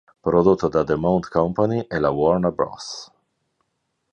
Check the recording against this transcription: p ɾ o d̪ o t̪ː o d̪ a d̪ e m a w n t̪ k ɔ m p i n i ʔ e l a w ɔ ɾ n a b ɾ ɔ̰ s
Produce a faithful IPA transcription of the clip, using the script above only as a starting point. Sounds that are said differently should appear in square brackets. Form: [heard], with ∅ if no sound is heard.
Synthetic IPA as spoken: p ɾ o d̪ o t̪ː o d̪ a d̪ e m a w n t̪ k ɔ m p [a] n i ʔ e l a w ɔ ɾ n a b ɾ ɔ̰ s